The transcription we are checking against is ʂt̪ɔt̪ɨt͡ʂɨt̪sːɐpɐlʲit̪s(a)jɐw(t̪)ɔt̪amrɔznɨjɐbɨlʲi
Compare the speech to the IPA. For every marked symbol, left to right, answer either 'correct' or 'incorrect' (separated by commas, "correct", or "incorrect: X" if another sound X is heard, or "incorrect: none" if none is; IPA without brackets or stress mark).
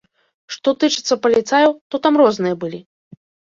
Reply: correct, correct